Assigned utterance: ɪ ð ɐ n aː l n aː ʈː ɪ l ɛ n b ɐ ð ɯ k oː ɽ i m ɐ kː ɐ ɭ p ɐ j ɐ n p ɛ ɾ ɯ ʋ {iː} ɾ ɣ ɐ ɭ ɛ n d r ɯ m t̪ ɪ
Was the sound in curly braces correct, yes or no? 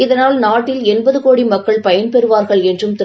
no